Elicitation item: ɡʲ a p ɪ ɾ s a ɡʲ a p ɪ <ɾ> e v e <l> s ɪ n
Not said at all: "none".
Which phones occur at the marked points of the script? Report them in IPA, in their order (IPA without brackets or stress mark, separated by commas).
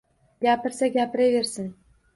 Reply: ɾ, ɾ